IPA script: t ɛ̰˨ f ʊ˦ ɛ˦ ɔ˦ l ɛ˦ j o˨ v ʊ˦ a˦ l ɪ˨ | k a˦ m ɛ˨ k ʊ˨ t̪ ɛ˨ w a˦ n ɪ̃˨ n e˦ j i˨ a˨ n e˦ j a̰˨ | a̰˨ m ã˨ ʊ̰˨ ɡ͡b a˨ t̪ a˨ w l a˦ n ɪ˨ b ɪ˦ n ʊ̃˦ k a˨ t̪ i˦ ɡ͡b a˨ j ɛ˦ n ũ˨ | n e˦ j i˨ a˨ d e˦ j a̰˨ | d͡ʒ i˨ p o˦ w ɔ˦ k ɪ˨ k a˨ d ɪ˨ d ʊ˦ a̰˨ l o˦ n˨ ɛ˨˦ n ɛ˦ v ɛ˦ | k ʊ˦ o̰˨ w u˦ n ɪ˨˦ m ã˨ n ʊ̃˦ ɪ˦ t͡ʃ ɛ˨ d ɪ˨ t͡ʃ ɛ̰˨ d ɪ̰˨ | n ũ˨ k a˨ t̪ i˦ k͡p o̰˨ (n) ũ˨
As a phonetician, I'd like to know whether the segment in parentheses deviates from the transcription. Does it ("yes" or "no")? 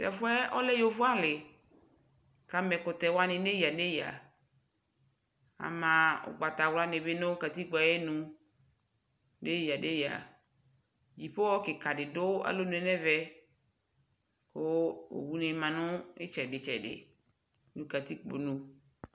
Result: no